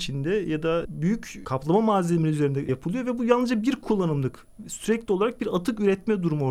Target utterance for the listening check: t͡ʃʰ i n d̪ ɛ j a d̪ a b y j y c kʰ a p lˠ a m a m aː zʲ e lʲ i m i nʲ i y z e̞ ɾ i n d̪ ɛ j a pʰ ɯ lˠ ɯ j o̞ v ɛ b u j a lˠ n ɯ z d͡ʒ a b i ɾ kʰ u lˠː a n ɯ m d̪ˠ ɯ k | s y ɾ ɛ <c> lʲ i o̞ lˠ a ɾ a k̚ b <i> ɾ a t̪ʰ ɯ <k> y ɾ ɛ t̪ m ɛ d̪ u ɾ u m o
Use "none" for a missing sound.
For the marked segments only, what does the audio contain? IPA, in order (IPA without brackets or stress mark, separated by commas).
c, i, k